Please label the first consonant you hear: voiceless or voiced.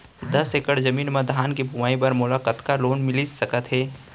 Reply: voiced